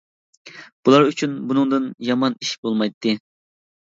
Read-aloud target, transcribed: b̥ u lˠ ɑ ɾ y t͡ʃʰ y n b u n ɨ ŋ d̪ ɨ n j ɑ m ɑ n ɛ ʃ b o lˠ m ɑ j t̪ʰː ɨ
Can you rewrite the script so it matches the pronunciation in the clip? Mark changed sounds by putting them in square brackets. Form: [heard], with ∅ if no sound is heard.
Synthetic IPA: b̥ u lˠ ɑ ɾ y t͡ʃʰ y n b u n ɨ ŋ d̪ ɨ n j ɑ m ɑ n [i] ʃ b o lˠ m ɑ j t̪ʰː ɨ